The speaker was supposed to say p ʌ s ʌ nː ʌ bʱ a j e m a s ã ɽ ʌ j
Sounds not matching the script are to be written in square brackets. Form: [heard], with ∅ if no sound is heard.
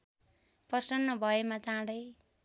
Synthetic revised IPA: p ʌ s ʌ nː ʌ bʱ [ʌ] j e m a [t͡s] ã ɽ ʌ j